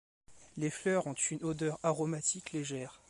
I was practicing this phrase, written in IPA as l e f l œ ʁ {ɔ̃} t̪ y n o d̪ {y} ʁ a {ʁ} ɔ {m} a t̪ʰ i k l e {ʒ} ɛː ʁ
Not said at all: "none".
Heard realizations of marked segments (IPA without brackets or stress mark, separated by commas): ɔ̃, œ, ʁ, m, ʒ